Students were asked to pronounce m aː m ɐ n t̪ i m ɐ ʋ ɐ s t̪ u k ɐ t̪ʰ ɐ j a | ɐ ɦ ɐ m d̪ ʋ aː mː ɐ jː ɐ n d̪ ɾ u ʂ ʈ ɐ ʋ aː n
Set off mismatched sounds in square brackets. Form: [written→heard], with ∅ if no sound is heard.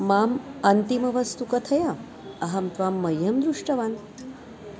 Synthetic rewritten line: m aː m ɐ n t̪ i m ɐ ʋ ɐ s t̪ u k ɐ t̪ʰ ɐ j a | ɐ ɦ ɐ m [d̪→t̪] ʋ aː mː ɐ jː ɐ [n→m] d̪ ɾ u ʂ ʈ ɐ ʋ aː n

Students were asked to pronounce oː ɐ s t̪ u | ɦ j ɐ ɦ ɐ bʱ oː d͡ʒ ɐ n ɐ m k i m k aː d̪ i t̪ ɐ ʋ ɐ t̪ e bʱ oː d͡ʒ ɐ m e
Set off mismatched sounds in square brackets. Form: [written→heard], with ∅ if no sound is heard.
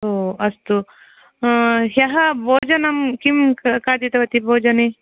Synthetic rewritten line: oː ɐ s t̪ u | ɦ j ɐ ɦ ɐ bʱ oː d͡ʒ ɐ n ɐ m k i m k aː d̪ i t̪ ɐ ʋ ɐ t̪ [e→i] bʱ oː d͡ʒ ɐ [m→n] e

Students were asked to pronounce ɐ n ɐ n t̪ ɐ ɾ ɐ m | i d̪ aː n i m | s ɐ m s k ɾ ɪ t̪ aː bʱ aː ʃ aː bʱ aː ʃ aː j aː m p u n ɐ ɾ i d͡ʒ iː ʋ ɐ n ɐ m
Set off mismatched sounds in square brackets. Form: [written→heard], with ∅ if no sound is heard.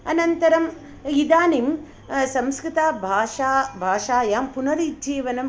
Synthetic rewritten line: ɐ n ɐ n t̪ ɐ ɾ ɐ m | i d̪ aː n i m | s ɐ m s k ɾ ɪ t̪ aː bʱ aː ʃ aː bʱ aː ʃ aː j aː m p u n ɐ ɾ i d͡ʒ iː ʋ ɐ n ɐ m

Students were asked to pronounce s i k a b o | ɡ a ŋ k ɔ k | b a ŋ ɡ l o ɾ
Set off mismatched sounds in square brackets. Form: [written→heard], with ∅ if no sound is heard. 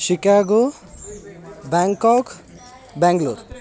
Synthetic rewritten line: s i k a [b→ɡ] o | [ɡ→b] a ŋ k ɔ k | b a ŋ ɡ l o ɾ

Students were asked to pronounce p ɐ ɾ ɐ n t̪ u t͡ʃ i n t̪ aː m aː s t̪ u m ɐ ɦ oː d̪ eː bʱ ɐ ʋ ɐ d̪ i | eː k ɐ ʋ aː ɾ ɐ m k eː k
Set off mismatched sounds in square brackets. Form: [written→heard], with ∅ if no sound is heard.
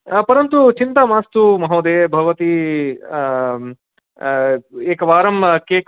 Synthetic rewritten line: p ɐ ɾ ɐ n t̪ u t͡ʃ i n t̪ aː m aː s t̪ u m ɐ ɦ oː d̪ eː bʱ ɐ ʋ ɐ [d̪→t̪] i | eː k ɐ ʋ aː ɾ ɐ m k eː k

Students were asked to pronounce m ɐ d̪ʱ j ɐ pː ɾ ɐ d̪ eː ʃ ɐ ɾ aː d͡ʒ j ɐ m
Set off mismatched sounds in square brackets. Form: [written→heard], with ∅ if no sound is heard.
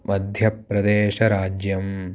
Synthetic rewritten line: m ɐ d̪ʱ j ɐ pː ɾ ɐ d̪ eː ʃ ɐ ɾ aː d͡ʒ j ɐ m

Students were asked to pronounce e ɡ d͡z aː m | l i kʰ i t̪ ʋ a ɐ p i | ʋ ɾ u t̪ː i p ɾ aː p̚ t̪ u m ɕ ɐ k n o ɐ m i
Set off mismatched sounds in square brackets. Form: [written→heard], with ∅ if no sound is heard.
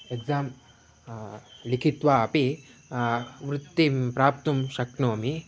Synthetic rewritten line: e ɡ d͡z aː m | l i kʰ i t̪ ʋ a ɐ p i | ʋ ɾ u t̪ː i p ɾ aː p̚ t̪ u m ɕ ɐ k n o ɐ m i

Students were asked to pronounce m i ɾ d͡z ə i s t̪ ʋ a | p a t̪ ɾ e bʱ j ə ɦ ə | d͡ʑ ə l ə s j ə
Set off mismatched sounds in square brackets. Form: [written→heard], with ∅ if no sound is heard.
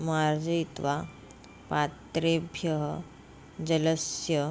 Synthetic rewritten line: m [i→a] ɾ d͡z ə i [s→∅] t̪ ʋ a | p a t̪ ɾ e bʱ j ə ɦ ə | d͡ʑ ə l ə s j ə

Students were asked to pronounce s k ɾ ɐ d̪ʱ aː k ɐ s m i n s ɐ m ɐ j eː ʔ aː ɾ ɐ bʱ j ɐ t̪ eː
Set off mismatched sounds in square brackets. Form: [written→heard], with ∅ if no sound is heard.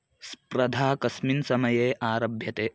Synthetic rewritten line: s [k→p] ɾ ɐ d̪ʱ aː k ɐ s m i n s ɐ m ɐ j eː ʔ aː ɾ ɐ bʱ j ɐ t̪ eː

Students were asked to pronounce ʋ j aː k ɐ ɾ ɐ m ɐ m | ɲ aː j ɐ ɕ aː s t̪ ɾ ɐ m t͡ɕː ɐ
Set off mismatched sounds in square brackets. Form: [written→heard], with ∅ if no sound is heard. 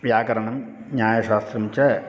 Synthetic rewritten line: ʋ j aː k ɐ ɾ ɐ [m→ɳ] ɐ m | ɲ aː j ɐ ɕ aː s t̪ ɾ ɐ m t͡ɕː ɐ

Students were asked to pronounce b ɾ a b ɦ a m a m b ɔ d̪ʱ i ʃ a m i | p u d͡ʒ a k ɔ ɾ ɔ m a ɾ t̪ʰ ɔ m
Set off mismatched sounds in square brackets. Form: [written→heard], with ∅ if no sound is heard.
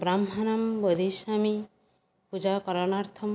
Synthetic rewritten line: b ɾ a [b→m] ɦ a [m→n] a m b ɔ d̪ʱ i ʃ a m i | p u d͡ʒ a k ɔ ɾ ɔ [m→n] a ɾ t̪ʰ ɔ m

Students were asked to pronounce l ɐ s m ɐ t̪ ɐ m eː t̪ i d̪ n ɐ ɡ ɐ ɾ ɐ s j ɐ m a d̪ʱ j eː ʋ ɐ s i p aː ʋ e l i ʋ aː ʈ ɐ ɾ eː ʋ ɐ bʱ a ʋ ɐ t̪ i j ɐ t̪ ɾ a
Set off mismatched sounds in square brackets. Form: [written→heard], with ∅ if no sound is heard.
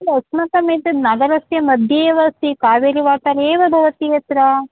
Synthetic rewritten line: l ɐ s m ɐ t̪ ɐ m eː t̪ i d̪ n ɐ ɡ ɐ ɾ ɐ s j ɐ m [a→ɐ] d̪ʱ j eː ʋ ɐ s i [p→k] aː ʋ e [l→ɾ] i ʋ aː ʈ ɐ ɾ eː ʋ ɐ bʱ [a→ɐ] ʋ ɐ t̪ i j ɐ t̪ ɾ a

